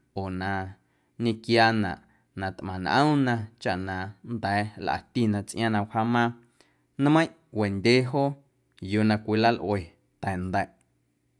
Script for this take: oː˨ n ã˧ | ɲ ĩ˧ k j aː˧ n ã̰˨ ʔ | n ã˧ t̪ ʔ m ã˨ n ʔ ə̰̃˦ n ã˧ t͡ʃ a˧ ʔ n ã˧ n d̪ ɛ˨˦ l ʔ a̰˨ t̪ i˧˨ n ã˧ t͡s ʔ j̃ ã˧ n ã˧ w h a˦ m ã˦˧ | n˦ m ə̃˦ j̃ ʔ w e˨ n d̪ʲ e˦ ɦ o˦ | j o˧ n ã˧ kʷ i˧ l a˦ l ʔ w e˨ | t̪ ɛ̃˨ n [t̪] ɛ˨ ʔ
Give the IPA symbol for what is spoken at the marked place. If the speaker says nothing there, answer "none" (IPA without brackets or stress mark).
d̪